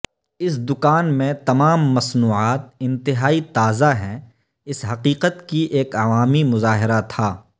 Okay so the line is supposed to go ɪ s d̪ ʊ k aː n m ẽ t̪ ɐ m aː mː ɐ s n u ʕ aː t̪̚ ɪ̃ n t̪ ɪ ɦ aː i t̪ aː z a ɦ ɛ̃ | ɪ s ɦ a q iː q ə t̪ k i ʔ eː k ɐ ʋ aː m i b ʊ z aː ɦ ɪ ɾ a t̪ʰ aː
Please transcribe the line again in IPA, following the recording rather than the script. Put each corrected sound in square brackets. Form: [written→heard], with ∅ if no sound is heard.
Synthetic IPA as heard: ɪ s d̪ ʊ k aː n m ẽ t̪ ɐ m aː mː ɐ s n [u→uː] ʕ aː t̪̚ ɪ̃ n t̪ ɪ ɦ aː i t̪ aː z a ɦ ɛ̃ | ɪ s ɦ [a→ɐ] q iː q ə t̪ k i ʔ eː k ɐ ʋ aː m i [b→m] ʊ z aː ɦ ɪ ɾ a t̪ʰ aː